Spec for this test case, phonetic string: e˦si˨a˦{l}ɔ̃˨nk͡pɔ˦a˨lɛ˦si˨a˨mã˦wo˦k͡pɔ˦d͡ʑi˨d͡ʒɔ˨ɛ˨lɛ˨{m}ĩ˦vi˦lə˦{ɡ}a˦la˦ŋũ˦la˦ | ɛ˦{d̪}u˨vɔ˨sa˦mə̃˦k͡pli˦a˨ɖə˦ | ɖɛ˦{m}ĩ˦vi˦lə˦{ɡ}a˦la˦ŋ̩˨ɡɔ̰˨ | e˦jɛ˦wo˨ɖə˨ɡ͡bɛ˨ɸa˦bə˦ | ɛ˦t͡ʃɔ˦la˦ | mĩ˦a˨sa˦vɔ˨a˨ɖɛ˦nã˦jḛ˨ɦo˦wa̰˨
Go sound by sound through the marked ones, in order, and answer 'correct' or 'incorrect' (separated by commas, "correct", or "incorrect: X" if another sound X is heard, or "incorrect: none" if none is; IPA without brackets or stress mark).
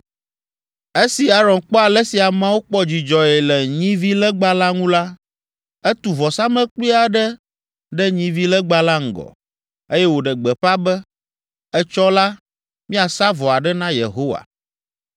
incorrect: ɾ, incorrect: ɲ, incorrect: ɡ͡b, incorrect: t̪, incorrect: ɲ, incorrect: ɡ͡b